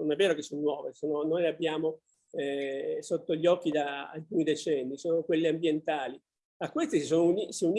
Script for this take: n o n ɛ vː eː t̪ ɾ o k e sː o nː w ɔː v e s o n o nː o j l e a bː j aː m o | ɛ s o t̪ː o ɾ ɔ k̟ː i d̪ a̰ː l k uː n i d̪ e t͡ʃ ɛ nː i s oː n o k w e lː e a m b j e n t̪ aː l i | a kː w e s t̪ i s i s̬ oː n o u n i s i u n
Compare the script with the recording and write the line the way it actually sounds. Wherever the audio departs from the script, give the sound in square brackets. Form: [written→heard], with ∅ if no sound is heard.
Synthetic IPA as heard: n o n ɛ vː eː [t̪→∅] ɾ o k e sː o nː w ɔː v e s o n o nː o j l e a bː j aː m o | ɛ s o t̪ː o [ɾ→ʎ] ɔ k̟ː i d̪ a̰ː l k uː n i d̪ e t͡ʃ ɛ nː i s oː n o k w e lː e a m b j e n t̪ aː l i | a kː w e s t̪ i s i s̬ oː n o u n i s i u n